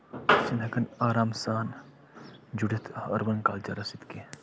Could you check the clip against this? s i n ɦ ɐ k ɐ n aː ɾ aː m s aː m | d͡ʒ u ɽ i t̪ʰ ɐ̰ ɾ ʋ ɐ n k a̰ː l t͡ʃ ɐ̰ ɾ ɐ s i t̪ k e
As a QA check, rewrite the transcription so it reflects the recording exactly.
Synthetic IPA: s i n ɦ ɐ k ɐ n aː ɾ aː m s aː n | d͡ʒ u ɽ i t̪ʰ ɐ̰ ɾ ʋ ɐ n k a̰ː l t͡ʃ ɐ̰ ɾ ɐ s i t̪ k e